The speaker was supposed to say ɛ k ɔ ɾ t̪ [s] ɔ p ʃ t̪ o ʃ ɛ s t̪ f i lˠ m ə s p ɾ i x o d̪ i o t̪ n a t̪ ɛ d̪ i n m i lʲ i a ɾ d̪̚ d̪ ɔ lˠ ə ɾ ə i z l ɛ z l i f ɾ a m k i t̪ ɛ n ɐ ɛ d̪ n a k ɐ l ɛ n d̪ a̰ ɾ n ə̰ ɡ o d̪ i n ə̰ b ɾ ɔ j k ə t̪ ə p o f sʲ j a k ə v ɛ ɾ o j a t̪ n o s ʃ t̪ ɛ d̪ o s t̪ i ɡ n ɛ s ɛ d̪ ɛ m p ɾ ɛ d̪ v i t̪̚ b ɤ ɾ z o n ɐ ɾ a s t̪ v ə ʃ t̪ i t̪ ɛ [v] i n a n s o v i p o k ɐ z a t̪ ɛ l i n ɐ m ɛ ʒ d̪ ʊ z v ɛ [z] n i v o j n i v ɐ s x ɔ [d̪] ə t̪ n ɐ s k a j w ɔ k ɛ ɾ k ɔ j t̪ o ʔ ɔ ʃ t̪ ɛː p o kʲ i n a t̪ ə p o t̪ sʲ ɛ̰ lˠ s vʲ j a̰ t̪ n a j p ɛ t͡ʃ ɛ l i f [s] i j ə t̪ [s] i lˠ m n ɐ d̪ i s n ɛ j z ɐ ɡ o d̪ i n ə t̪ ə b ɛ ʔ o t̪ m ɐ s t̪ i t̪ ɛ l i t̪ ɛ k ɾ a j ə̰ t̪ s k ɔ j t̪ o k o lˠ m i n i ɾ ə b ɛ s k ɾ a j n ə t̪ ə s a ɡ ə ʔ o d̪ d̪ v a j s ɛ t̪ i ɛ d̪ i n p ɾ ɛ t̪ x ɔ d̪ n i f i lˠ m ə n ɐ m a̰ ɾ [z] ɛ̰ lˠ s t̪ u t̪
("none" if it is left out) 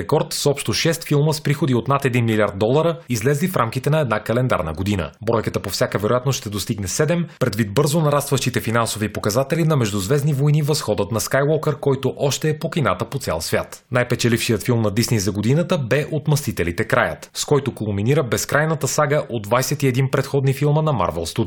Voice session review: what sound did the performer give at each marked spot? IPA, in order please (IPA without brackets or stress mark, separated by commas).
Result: s, f, z, d̪, ʃ, f, v